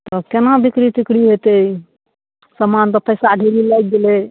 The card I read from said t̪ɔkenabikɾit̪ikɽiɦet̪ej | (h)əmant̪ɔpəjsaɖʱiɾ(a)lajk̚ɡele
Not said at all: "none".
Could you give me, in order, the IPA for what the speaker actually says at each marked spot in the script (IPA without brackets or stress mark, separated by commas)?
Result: s, i